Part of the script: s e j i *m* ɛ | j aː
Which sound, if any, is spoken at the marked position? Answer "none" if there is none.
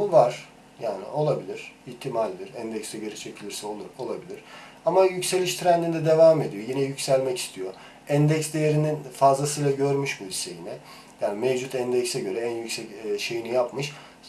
n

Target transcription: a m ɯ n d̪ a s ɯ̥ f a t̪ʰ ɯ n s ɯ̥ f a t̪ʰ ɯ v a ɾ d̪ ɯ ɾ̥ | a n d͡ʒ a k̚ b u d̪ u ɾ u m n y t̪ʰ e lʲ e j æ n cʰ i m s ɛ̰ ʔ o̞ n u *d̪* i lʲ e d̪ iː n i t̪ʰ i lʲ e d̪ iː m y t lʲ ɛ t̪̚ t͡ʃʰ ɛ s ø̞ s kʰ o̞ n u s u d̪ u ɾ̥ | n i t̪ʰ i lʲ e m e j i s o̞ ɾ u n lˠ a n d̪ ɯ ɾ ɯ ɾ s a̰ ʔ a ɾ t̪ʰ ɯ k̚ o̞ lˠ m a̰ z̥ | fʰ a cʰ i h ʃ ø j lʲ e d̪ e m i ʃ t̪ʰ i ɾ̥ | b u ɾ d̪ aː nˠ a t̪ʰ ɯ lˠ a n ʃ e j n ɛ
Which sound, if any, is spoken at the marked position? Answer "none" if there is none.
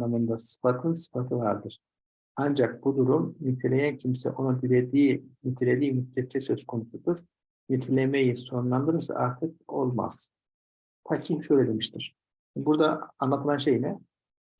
d̪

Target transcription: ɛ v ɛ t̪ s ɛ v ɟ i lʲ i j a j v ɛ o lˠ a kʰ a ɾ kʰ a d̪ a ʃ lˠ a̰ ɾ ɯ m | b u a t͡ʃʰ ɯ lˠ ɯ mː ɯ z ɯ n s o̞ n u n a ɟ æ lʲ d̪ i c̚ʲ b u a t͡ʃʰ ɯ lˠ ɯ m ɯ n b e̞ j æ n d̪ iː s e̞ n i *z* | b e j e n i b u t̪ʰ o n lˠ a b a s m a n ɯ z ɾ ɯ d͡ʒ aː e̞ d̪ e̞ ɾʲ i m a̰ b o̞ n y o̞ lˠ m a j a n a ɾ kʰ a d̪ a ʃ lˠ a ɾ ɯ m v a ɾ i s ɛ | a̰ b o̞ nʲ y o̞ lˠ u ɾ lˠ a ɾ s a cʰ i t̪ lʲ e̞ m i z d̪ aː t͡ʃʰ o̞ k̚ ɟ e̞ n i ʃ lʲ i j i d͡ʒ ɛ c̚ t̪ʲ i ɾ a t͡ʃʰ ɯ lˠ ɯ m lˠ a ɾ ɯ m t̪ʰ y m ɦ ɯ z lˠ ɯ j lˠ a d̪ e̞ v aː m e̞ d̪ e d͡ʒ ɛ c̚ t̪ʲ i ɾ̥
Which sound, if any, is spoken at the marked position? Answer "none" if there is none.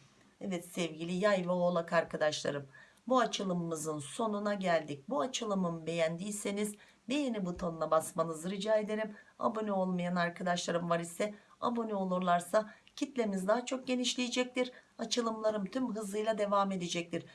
z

